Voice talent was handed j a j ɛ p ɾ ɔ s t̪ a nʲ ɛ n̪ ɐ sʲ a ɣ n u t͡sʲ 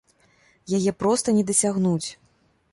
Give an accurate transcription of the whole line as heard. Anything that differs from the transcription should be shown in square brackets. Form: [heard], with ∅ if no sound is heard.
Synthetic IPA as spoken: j a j ɛ p ɾ ɔ s t̪ [ɐ] nʲ ɛ [d̪] ɐ sʲ a ɣ n u t͡sʲ